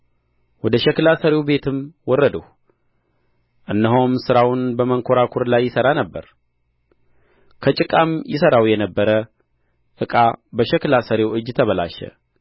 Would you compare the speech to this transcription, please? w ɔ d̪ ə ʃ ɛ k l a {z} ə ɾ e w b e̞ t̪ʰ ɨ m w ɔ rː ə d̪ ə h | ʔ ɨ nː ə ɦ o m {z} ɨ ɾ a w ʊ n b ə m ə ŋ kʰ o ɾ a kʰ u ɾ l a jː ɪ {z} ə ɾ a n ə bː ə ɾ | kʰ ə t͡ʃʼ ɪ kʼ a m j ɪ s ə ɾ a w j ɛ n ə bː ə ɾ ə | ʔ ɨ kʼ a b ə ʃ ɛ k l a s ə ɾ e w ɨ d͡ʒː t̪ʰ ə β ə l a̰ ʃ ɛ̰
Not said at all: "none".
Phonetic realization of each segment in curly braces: s, s, s

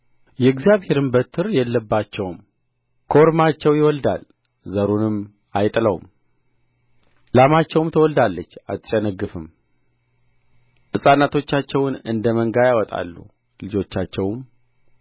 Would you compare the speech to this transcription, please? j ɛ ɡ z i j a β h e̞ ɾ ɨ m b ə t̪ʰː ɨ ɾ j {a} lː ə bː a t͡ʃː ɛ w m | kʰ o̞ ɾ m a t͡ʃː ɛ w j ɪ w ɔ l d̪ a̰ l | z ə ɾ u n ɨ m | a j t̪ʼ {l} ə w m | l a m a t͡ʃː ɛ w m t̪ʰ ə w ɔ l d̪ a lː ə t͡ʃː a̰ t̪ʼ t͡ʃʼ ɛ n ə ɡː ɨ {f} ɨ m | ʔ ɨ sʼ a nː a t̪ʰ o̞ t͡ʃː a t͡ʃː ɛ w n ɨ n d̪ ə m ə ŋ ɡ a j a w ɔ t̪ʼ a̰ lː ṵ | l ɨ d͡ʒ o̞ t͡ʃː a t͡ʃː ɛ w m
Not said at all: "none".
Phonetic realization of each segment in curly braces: ɛ, l, f

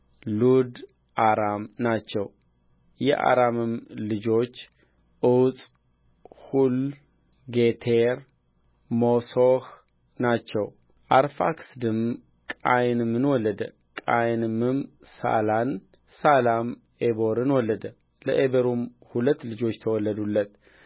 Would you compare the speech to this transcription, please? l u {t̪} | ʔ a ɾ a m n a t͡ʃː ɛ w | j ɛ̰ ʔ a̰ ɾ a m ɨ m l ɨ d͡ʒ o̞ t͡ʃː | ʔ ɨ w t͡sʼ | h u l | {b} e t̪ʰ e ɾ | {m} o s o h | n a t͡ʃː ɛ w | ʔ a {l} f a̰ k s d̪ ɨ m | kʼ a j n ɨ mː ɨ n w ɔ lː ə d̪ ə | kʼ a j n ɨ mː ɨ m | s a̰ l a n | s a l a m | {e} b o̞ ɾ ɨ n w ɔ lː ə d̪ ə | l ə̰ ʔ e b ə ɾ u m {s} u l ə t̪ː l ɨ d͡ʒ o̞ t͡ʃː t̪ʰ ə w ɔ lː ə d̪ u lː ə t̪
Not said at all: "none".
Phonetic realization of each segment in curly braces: d̪, ɡ, m, ɾ, e, h

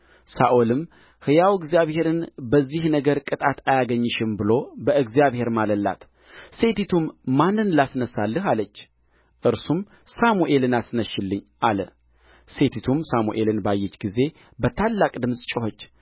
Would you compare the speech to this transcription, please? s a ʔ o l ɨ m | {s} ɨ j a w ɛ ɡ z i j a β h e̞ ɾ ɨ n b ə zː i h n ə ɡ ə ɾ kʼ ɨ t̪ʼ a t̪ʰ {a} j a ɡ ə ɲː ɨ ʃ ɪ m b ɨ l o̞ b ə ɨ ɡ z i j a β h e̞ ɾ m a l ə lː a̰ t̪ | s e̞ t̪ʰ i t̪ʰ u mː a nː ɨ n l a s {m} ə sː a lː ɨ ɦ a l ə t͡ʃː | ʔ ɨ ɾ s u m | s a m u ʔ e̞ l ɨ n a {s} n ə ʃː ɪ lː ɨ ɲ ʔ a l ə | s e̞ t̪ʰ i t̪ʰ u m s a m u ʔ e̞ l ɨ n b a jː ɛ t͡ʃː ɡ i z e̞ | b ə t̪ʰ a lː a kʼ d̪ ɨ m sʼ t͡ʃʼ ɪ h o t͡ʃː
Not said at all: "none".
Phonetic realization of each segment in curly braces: h, a, n, s

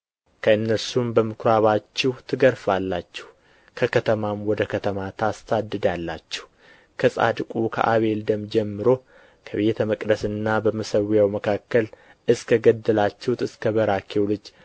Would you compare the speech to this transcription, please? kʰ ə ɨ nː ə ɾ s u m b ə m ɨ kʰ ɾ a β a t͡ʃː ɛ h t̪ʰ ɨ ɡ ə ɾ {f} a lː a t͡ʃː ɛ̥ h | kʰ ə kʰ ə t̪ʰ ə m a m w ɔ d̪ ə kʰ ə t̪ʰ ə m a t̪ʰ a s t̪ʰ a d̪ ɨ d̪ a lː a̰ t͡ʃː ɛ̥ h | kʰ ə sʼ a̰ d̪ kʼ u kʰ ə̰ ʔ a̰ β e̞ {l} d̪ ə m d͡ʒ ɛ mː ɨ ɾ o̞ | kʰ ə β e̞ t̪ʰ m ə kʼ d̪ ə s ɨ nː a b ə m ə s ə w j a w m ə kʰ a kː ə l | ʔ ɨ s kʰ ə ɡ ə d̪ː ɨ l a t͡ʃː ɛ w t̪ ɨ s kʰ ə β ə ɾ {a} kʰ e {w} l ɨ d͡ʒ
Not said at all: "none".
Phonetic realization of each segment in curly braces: f, l, a, w

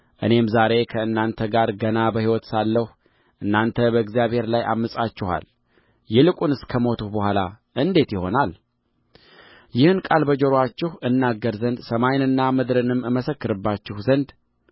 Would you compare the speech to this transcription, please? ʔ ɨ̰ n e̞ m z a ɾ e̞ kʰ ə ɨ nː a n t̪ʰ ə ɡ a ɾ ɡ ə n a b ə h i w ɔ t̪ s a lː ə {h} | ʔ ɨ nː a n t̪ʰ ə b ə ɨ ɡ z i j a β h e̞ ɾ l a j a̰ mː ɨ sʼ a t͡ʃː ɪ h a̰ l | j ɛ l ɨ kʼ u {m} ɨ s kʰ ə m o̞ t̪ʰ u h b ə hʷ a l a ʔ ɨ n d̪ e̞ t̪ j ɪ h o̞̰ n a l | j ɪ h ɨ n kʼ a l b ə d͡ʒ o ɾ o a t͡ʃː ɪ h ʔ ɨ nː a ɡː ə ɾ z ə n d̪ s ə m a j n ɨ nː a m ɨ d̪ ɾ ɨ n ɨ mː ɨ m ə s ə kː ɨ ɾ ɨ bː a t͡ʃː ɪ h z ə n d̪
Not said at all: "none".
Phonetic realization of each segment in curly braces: h, n

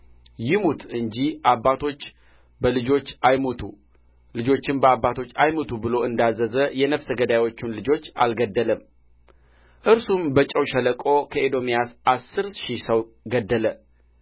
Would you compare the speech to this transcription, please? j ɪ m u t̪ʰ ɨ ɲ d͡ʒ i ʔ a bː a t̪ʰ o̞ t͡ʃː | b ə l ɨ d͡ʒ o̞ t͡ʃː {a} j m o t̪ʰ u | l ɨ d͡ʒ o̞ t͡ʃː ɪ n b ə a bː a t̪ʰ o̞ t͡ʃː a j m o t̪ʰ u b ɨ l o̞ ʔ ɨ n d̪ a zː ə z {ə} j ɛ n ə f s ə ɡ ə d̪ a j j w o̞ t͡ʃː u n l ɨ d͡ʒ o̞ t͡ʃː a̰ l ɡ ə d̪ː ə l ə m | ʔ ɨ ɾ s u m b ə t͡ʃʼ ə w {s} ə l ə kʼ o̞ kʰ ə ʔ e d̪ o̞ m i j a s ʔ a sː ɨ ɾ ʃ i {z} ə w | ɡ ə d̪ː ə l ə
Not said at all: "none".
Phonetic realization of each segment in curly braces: a, ə, ʃ, s

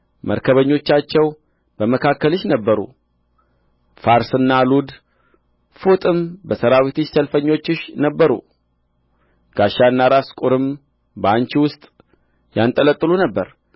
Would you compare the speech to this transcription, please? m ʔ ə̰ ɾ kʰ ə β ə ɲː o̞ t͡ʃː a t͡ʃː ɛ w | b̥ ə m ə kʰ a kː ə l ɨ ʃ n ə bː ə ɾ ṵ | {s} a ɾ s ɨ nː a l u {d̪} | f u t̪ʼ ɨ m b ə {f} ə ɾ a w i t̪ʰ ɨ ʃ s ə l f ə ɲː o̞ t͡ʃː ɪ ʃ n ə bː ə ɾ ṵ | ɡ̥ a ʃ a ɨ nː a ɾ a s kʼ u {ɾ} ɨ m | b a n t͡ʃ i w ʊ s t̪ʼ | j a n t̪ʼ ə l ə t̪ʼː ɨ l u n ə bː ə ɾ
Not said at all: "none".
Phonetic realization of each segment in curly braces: f, d̪, s, ɾ

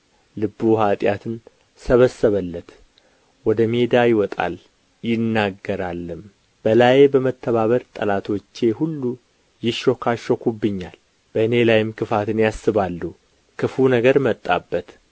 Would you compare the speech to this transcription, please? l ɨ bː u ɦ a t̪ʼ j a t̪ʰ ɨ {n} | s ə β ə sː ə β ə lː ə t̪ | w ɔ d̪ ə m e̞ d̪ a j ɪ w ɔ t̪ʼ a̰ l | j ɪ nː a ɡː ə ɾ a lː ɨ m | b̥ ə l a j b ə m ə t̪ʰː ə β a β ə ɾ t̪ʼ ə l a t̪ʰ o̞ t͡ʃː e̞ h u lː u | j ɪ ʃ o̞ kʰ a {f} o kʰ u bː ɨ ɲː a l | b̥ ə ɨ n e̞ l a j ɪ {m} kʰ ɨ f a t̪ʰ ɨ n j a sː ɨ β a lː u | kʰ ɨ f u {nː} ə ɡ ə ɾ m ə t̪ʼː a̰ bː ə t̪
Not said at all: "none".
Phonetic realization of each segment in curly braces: n, ʃ, m, n

